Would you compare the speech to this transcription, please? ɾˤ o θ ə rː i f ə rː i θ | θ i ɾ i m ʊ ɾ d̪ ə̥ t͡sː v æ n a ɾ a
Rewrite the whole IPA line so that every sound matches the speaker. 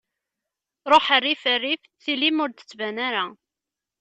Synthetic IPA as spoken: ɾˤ o ħ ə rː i f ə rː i f | θ i l i m ʊ ɾ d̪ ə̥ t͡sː v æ n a ɾ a